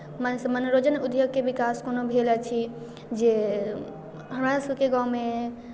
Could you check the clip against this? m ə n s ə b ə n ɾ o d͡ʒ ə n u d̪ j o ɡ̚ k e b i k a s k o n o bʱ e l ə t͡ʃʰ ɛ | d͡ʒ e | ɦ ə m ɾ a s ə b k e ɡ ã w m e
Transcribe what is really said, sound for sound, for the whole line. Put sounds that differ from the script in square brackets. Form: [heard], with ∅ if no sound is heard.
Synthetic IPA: m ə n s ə [m] ə n ɾ o d͡ʒ ə n u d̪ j o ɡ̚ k e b i k a s k o n o bʱ e l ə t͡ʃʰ [i] | d͡ʒ e | ɦ ə m ɾ a s ə b k e ɡ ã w m e